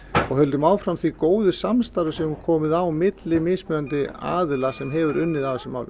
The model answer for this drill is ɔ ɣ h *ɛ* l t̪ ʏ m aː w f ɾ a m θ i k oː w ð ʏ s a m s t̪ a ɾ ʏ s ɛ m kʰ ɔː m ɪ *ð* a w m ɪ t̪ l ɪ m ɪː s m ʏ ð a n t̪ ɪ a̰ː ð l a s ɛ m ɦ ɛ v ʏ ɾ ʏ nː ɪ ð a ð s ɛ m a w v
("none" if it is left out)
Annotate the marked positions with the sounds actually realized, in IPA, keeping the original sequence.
œ, ð

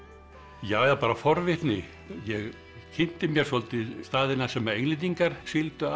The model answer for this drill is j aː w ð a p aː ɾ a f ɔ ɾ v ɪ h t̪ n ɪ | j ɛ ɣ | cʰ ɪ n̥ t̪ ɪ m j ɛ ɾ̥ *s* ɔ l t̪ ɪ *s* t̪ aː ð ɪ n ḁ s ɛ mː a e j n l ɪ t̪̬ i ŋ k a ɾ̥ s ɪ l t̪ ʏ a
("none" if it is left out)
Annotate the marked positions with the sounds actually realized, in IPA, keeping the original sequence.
s, s

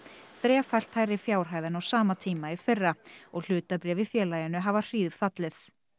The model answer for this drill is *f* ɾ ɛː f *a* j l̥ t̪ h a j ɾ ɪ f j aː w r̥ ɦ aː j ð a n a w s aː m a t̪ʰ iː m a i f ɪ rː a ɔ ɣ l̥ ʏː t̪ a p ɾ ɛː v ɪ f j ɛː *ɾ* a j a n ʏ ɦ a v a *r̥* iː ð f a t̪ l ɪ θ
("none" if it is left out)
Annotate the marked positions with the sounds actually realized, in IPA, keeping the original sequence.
θ, a, l, r̥

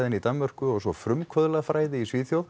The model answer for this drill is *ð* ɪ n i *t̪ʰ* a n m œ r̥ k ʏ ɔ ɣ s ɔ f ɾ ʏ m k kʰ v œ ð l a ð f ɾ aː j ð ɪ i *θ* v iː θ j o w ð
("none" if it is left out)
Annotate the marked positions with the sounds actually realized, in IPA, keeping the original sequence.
ð, t̪, s

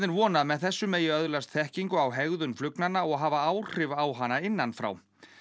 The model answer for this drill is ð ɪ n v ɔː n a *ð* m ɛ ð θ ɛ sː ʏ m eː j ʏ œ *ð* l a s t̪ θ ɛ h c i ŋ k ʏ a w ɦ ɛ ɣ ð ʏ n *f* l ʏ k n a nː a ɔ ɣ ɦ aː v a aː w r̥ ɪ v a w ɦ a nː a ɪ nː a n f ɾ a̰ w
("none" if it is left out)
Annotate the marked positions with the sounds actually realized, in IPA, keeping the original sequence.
ð, ð, f

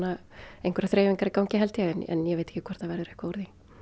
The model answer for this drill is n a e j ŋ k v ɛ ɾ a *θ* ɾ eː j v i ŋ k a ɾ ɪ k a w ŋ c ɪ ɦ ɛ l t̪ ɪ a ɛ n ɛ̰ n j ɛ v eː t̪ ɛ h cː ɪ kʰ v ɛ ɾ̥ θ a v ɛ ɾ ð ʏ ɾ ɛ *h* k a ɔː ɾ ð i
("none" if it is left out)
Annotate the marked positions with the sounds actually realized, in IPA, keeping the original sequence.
θ, h

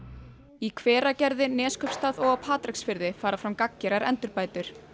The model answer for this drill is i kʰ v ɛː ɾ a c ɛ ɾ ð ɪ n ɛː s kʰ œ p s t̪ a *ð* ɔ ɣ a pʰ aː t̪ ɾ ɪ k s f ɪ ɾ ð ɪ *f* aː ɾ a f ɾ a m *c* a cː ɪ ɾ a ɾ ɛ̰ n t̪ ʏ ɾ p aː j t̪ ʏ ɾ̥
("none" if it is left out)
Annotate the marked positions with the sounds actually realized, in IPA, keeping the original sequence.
ð, f, k

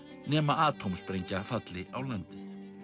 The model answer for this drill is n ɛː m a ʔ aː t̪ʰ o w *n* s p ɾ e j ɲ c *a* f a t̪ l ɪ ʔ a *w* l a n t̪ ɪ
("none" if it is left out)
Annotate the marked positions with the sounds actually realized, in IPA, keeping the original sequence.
m, a, w

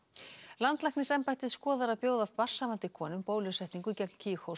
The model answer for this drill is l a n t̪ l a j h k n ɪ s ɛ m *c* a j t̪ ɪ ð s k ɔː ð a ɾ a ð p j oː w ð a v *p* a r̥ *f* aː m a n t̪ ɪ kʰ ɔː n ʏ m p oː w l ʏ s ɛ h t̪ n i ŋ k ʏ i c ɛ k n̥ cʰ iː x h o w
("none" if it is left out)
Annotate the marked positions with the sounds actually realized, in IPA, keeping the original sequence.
p, p, s

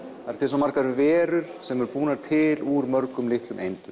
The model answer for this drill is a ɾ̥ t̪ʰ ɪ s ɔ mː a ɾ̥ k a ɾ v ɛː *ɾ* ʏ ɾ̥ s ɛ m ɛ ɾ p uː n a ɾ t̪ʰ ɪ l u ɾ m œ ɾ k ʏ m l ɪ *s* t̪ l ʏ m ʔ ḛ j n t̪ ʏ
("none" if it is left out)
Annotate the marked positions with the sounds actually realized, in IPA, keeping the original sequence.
ɾ, h

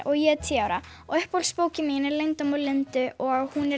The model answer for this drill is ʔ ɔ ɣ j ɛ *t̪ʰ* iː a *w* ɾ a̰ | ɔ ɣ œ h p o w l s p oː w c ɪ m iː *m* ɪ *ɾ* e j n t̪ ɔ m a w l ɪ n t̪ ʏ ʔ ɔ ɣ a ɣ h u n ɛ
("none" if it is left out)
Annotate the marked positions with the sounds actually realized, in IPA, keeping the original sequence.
t̪ʰ, w, n, l

